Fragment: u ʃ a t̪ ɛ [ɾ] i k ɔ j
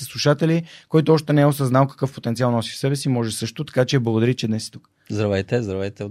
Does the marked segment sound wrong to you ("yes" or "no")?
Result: yes